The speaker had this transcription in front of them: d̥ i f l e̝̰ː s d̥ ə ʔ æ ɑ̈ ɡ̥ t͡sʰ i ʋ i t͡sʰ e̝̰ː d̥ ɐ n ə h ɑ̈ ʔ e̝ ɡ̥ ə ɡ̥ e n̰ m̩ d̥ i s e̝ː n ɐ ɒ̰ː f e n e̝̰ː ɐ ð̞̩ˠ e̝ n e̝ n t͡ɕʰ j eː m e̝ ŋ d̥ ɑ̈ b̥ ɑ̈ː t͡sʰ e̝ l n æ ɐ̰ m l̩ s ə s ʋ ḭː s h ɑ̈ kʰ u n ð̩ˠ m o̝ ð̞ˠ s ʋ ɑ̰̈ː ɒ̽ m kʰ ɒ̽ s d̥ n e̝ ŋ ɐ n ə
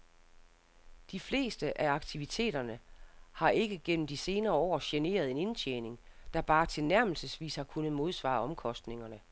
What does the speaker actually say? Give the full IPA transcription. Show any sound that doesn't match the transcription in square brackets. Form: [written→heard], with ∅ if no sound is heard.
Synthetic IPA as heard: d̥ i f l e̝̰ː s d̥ ə ʔ æ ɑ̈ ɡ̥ t͡sʰ i ʋ i t͡sʰ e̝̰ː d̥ ɐ n ə h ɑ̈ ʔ e̝ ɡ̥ ə ɡ̥ e n̰ m̩ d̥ i s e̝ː n [ɐ→ɐː] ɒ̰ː [f→ɕ] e n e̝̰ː ɐ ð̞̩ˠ e̝ n e̝ n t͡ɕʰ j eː [m→n] e̝ ŋ d̥ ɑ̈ b̥ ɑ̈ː t͡sʰ e̝ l n æ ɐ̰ m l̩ s ə s ʋ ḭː s h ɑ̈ kʰ u n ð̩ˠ m o̝ ð̞ˠ s ʋ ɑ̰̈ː ɒ̽ m kʰ ɒ̽ s d̥ n e̝ ŋ ɐ n ə

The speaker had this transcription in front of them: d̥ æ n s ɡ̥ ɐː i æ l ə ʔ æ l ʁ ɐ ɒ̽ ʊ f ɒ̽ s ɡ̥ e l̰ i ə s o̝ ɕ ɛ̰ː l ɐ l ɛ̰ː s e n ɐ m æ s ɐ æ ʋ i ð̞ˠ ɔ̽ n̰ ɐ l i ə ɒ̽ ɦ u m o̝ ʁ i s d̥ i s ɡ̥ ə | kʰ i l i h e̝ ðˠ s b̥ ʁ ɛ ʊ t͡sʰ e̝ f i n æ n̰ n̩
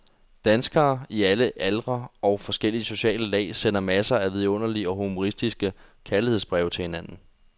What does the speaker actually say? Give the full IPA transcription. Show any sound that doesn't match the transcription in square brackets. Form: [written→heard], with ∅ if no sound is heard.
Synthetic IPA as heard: d̥ æ n s ɡ̥ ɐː i æ l ə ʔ æ l ʁ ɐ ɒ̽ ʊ f ɒ̽ s ɡ̥ e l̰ i ə s o̝ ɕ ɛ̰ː l [ɐ→ə] l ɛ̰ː s e n ɐ m æ s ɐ æ ʋ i ð̞ˠ ɔ̽ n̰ ɐ l i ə ɒ̽ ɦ u m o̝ ʁ i s d̥ i s ɡ̥ ə | kʰ [i→æ] l i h e̝ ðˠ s b̥ ʁ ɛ ʊ t͡sʰ e̝ [f→h] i n æ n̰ n̩

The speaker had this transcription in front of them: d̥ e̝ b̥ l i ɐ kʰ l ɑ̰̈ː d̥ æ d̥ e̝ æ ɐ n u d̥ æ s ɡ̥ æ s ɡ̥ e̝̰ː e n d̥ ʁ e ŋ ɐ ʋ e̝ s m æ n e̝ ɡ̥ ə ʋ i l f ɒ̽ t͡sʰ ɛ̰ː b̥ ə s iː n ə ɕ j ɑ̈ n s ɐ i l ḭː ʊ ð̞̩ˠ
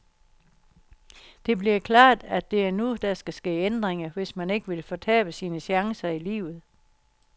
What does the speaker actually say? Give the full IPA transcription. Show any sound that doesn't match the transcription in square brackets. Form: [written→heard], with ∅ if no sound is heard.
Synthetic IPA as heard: d̥ e̝ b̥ l i ɐ kʰ l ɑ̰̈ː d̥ æ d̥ e̝ æ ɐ n u d̥ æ s ɡ̥ æ s ɡ̥ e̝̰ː e n d̥ ʁ e ŋ ɐ ʋ e̝ s m æ n e̝ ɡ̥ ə ʋ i l f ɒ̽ t͡sʰ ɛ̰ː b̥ ə s iː n ə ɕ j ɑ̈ [n→ŋ] s ɐ i l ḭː ʊ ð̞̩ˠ

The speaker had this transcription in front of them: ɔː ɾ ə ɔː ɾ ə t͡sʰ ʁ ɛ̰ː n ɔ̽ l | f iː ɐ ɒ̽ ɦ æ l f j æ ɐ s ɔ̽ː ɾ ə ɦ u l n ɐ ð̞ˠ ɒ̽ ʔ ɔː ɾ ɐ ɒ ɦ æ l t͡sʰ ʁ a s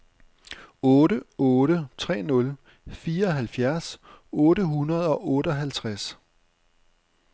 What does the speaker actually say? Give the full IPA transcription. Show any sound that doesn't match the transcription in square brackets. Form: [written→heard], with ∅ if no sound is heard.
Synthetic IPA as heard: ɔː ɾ ə ɔː ɾ ə t͡sʰ ʁ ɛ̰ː n ɔ̽ l | f iː ɐ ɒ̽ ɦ æ l f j æ ɐ s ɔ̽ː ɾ ə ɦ u [l→∅] n ɐ ð̞ˠ ɒ̽ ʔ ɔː ɾ [ɐ→ə] ɒ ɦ æ l t͡sʰ ʁ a s

